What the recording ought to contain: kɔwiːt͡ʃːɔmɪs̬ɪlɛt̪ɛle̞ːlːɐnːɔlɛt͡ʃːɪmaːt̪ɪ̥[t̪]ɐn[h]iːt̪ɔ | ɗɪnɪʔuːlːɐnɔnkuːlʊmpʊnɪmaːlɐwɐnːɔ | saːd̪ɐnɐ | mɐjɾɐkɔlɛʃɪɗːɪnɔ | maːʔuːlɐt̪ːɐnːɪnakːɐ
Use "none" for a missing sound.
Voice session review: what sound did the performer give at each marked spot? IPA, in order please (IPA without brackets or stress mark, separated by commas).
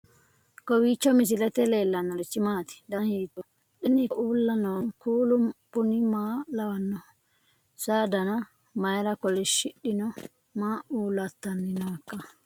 d̪, h